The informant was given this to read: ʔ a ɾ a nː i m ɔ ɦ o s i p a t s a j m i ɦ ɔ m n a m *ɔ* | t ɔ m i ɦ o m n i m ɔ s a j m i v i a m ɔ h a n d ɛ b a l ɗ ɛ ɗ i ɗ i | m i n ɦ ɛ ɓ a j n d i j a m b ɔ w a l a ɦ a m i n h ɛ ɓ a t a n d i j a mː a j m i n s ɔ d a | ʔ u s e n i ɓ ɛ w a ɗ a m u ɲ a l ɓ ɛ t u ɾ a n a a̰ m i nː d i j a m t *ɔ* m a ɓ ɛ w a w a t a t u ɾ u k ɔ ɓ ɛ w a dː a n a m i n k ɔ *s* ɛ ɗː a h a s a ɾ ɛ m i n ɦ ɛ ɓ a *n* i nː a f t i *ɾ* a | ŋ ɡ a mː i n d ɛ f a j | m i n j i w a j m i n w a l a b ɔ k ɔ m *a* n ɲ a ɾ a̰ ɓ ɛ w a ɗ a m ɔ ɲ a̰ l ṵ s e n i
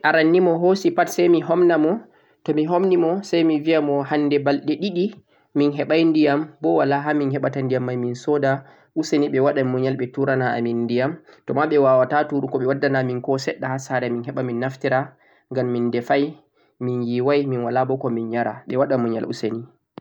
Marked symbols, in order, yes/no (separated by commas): yes, yes, yes, no, yes, no